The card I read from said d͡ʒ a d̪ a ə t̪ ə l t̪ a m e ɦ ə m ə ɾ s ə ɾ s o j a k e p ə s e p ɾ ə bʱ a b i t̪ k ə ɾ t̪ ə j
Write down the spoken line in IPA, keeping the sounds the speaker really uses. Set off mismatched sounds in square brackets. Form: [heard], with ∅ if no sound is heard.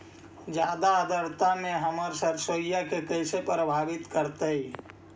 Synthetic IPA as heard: d͡ʒ a d̪ a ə [d̪] ə [ɾ] t̪ a m e ɦ ə m ə ɾ s ə ɾ s o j a k e [k] ə s e p ɾ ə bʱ a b i t̪ k ə ɾ t̪ ə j